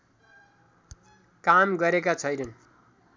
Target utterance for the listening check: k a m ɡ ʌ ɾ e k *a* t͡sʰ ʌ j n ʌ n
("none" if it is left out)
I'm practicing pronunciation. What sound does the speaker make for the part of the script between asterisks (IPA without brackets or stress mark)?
a